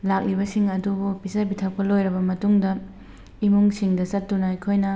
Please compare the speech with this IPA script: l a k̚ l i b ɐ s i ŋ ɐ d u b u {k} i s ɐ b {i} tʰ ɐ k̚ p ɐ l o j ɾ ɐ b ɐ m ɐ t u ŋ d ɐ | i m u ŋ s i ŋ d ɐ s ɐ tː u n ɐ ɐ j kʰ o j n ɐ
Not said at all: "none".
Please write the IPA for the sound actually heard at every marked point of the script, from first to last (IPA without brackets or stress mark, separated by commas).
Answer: p, i